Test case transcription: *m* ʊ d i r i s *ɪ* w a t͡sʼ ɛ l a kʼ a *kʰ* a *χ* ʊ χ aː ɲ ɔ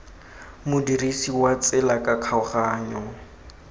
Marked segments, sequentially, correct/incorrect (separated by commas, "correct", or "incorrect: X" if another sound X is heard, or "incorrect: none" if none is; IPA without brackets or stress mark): correct, incorrect: i, correct, incorrect: none